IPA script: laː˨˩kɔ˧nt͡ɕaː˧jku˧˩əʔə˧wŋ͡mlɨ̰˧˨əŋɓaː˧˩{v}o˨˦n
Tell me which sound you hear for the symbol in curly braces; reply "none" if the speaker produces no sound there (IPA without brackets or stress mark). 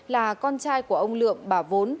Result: v